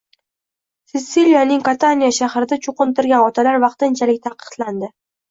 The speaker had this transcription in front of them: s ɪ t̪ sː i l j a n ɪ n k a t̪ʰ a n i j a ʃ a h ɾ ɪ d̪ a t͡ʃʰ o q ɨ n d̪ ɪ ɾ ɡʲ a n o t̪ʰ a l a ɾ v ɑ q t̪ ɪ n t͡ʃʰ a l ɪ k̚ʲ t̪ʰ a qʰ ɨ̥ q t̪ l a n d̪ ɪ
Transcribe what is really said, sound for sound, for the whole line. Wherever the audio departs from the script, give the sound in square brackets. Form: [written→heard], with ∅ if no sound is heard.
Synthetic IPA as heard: s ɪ t̪ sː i l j a n ɪ [n→ŋ] k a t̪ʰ a n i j a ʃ a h ɾ ɪ d̪ a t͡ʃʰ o q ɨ n [d̪→t̪] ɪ ɾ ɡʲ a n [o→ɒ] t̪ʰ a l a ɾ v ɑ q t̪ ɪ n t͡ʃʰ a l ɪ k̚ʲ t̪ʰ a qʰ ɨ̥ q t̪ l a n d̪ ɪ